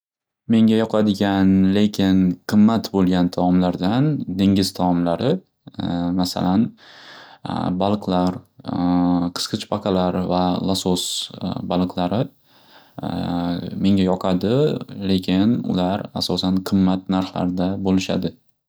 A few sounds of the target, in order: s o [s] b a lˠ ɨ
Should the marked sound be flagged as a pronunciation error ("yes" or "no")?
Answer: no